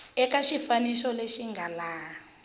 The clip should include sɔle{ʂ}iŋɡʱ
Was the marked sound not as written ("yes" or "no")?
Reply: yes